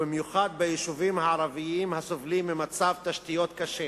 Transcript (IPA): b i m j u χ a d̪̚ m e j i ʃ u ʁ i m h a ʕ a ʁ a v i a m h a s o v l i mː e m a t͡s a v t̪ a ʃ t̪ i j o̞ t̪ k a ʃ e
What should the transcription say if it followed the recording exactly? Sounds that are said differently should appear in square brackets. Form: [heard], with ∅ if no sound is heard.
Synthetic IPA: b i m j u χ a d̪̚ [b] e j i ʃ u [v] i m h a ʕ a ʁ a v i [i] m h a s o v l i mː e m a t͡s a v t̪ a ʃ t̪ i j o̞ t̪ k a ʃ e